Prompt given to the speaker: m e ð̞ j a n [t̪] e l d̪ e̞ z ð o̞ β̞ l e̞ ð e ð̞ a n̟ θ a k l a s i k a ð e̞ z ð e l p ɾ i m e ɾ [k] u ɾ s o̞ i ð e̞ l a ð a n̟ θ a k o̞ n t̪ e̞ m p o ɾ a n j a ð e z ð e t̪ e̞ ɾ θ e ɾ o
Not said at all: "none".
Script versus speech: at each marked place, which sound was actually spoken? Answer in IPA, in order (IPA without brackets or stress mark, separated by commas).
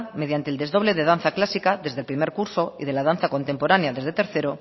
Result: t̪, k